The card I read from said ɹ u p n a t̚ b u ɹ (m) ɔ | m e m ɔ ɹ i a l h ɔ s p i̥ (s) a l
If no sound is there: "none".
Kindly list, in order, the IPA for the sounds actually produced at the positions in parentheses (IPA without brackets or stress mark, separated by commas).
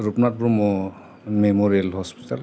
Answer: m, t